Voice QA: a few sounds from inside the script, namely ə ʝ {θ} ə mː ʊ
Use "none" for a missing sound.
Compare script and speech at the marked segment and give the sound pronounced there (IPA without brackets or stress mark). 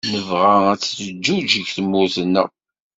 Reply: θ